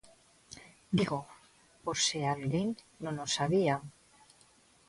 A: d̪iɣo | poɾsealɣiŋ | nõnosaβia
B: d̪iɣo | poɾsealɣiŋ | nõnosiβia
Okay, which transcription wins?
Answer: A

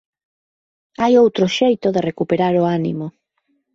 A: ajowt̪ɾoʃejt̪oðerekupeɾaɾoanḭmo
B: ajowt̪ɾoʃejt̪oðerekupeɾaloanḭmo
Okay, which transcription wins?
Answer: A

